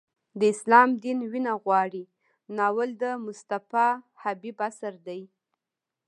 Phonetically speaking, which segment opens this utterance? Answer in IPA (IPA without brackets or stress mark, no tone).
d̪